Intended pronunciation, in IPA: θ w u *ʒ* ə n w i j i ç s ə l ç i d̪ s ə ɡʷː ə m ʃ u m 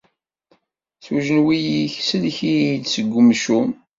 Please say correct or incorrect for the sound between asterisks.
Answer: correct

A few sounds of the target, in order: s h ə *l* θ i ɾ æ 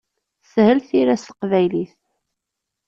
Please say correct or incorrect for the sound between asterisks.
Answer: correct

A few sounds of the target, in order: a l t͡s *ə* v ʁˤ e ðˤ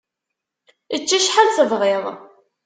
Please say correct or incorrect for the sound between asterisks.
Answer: correct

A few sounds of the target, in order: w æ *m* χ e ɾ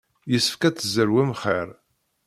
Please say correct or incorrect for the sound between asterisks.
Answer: correct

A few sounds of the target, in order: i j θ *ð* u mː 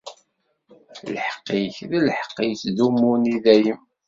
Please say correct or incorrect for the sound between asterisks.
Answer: correct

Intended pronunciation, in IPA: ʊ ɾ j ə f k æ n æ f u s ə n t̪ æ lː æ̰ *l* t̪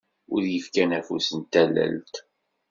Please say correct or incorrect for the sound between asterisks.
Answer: correct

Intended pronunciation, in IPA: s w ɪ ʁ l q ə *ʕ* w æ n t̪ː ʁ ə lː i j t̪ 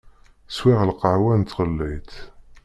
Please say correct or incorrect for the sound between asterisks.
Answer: correct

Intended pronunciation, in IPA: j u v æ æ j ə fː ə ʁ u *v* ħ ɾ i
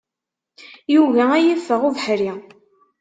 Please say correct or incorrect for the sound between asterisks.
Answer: correct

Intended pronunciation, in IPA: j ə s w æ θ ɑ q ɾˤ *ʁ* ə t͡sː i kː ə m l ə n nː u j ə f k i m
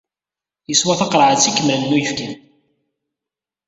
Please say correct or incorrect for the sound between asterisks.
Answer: incorrect: ʕ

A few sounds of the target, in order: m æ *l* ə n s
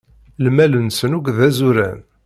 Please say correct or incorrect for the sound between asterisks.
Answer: correct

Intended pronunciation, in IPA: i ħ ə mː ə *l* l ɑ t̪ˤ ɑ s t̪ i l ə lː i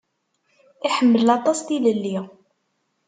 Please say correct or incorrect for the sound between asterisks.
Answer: correct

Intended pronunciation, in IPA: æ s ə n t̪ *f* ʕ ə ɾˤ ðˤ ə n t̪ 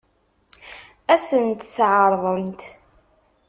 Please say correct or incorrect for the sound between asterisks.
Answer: incorrect: θ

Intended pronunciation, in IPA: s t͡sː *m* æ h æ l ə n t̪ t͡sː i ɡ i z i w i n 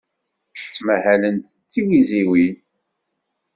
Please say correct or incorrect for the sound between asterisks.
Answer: correct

